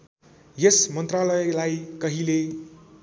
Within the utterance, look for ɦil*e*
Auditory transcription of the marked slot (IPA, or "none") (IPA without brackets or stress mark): e